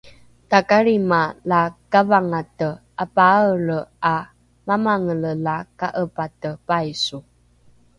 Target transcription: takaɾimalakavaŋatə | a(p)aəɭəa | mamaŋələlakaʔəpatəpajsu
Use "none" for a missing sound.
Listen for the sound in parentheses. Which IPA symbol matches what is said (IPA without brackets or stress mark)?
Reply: p